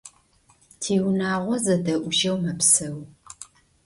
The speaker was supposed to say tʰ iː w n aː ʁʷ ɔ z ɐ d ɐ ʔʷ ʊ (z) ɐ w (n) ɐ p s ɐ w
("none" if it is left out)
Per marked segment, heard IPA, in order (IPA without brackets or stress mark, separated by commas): ʒ, m